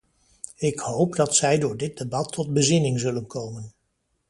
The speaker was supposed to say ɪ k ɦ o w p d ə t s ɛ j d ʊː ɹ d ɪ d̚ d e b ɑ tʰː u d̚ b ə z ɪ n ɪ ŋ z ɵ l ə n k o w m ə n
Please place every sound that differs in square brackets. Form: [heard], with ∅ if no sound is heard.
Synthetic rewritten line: ɪ k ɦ o w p d [ɑ] t s ɛ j d ʊː ɹ d ɪ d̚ d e b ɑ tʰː [ɔ] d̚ b ə z ɪ n ɪ ŋ z ɵ l ə n k o w m ə n